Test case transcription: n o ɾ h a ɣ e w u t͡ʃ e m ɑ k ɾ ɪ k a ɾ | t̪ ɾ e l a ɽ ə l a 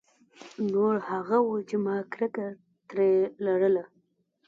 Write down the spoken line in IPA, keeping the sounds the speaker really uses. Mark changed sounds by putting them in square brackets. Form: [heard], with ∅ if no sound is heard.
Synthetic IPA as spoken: n o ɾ h a ɣ [a] w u t͡ʃ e m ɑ k ɾ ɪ k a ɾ | t̪ ɾ e l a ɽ ə l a